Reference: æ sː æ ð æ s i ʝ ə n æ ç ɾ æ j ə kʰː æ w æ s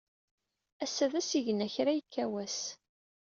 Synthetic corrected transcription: æ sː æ ð æ s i ʝ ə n æ ç ɾ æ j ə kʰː æ w æ s